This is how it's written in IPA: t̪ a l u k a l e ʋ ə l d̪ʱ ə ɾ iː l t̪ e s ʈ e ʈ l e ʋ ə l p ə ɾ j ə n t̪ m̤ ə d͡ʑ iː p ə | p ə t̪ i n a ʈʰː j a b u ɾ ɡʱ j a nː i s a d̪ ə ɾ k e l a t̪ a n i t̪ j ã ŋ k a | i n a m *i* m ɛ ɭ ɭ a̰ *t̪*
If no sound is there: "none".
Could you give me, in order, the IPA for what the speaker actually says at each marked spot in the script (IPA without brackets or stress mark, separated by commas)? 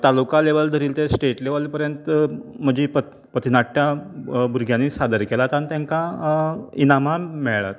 a, t̪